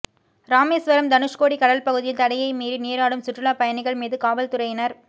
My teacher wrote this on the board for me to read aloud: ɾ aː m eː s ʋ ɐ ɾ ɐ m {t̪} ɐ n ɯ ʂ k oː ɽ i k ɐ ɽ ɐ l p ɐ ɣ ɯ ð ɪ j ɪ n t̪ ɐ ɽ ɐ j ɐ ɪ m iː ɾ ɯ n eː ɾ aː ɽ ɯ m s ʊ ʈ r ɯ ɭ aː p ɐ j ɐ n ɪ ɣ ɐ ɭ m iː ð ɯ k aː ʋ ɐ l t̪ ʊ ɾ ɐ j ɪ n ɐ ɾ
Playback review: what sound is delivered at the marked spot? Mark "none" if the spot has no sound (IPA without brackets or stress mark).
d̪